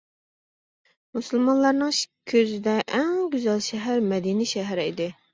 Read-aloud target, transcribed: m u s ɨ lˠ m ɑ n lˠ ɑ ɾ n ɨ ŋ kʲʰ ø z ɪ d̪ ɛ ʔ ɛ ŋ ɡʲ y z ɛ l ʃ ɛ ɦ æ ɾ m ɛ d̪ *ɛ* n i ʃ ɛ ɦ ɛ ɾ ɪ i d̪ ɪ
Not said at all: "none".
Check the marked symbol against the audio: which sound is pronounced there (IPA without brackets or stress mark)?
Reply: i